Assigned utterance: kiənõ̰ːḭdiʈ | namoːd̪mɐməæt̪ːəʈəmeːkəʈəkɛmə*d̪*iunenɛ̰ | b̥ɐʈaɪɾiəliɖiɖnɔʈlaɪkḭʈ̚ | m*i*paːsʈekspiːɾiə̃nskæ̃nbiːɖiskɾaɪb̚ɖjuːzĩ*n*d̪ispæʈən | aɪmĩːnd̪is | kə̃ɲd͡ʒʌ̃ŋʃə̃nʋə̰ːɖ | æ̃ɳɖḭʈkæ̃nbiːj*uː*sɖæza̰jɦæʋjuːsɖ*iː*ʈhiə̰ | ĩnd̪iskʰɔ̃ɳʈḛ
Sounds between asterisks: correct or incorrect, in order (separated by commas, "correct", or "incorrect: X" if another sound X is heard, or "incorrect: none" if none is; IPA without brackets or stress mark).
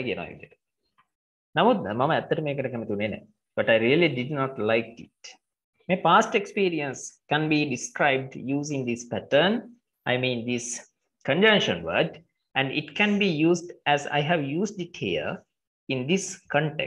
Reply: incorrect: t̪, incorrect: e, incorrect: ŋ, correct, incorrect: i